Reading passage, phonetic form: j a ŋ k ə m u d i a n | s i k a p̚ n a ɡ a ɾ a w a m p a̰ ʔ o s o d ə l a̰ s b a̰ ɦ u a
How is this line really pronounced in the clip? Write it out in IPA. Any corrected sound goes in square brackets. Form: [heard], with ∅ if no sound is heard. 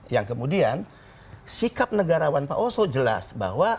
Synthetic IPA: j a ŋ k ə m u d i a n | s i k a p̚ n [ə] ɡ a ɾ a w a [n] p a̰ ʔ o s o [d͡ʒ] ə l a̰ s b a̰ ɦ [w] a

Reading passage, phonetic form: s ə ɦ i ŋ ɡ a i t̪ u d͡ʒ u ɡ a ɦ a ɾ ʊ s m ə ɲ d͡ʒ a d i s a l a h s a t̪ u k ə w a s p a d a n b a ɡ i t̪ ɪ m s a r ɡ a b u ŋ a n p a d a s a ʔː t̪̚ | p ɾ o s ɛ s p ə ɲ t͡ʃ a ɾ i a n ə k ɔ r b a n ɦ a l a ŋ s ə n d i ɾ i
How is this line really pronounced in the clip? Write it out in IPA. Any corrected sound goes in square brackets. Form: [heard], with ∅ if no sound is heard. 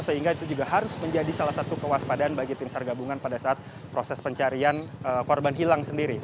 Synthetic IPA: s ə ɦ i ŋ ɡ a i t̪ u d͡ʒ u ɡ a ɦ a ɾ ʊ s m ə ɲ d͡ʒ a d i s a l a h s a t̪ u k ə w a s p a d a n b a ɡ i t̪ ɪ m s a r ɡ a b u ŋ a n p a d a s a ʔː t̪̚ | p ɾ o s ɛ s p ə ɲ t͡ʃ a ɾ i a n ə k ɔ r b a n ɦ [i] l a ŋ s ə n d i ɾ i

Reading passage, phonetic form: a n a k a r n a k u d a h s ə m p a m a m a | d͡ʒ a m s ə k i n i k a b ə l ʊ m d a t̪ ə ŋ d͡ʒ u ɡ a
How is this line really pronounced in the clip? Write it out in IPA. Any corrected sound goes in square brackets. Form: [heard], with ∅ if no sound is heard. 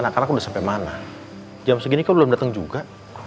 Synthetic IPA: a n a k a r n a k u d a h s [a] m p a m a [n] a | d͡ʒ a m s ə [ɡ] i n i k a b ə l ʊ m d a t̪ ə ŋ d͡ʒ u ɡ a

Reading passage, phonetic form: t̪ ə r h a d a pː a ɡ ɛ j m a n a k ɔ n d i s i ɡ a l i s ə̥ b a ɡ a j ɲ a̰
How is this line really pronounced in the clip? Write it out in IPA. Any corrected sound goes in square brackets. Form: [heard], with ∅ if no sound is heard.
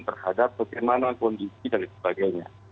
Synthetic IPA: t̪ ə r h a d a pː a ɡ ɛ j m a n a k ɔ n d i s i [d] a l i s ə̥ b a ɡ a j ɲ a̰

